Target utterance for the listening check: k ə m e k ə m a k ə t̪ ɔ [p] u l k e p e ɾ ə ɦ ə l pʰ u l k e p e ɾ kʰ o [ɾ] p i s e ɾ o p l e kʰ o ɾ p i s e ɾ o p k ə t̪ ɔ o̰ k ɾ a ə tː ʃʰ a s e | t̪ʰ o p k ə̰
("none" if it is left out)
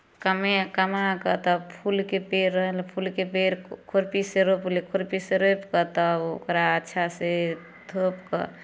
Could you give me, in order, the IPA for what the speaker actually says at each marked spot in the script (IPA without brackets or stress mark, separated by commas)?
pʰ, ɾ